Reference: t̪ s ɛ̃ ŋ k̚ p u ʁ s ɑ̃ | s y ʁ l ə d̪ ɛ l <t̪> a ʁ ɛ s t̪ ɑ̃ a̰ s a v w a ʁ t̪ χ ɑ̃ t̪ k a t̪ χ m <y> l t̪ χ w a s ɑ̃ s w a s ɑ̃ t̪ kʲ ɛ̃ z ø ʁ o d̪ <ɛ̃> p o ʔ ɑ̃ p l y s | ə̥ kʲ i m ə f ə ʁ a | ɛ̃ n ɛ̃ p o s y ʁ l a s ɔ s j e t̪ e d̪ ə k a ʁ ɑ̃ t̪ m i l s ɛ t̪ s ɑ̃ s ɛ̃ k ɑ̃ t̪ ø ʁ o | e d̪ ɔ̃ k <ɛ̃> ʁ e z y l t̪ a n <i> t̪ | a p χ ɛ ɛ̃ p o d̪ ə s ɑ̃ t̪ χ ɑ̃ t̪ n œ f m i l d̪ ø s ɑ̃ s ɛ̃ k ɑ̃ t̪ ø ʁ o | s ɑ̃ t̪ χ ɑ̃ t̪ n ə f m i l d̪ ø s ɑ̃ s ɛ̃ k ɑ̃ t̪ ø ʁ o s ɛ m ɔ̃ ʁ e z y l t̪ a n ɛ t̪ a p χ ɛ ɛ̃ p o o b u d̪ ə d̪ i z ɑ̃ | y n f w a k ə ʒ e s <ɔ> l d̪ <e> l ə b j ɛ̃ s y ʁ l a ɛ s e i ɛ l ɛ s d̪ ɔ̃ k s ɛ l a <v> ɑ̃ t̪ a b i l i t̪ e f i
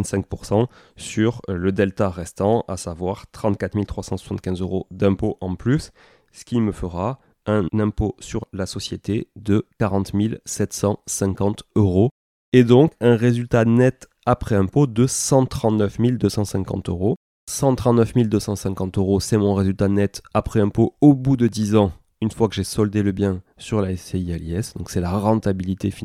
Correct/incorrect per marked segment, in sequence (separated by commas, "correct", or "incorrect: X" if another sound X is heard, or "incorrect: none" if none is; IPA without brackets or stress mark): correct, incorrect: i, correct, correct, incorrect: ɛ, correct, correct, incorrect: ʁ